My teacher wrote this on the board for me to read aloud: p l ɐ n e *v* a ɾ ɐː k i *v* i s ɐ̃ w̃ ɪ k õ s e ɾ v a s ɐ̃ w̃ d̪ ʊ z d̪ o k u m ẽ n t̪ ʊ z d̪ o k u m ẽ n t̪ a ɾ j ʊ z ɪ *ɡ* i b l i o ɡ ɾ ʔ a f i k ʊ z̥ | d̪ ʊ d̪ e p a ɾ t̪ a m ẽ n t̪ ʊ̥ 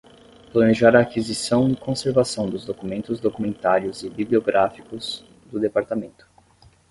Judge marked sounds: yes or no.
no, no, no

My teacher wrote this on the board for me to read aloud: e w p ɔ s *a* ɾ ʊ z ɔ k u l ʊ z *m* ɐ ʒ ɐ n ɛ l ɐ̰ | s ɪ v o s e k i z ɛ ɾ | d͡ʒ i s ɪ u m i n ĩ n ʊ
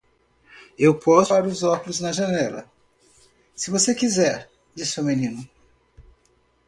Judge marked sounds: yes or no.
yes, no

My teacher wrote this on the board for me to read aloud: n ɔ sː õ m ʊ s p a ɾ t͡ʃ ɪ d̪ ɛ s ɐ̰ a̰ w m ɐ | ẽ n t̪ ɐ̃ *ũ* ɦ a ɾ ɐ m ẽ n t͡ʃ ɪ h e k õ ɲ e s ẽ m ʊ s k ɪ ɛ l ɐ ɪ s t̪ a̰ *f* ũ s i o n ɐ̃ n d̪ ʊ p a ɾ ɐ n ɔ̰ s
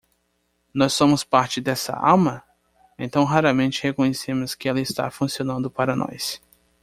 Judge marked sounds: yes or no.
no, yes

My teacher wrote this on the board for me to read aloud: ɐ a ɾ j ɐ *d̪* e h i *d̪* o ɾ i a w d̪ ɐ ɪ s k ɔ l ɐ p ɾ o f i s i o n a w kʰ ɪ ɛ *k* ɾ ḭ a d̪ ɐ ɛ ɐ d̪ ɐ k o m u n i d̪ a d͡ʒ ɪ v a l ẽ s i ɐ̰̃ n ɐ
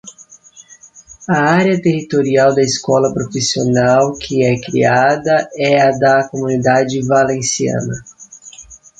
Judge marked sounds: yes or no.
no, no, yes

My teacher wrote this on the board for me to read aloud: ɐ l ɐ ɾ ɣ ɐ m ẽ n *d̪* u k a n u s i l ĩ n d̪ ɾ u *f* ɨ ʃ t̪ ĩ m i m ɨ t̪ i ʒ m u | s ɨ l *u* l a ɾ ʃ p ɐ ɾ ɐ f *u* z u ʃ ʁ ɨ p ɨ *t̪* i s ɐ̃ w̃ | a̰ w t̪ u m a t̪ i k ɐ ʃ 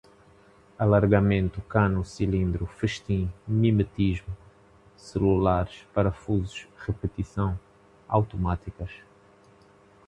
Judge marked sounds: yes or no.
no, yes, yes, yes, yes

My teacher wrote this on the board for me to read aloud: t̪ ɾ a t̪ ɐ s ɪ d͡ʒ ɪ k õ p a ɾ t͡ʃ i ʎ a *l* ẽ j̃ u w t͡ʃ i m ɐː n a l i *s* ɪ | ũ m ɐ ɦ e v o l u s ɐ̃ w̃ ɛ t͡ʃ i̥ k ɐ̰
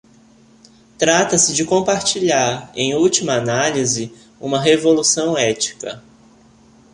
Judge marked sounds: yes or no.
no, no

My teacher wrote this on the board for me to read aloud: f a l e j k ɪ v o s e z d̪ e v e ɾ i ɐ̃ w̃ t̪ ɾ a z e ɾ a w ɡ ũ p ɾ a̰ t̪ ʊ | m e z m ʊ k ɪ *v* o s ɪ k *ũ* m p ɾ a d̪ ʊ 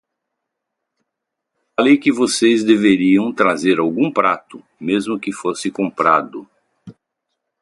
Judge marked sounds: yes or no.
no, no

